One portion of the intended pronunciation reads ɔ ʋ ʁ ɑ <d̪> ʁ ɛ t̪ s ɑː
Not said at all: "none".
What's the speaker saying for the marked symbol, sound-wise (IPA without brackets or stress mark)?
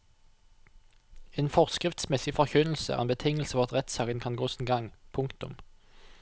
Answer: t̪